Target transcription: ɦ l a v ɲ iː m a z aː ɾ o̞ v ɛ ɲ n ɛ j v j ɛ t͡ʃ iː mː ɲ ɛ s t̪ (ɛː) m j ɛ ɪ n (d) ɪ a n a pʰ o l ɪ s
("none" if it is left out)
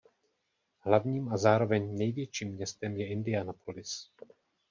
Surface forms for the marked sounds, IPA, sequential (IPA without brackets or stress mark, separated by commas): ɛ, d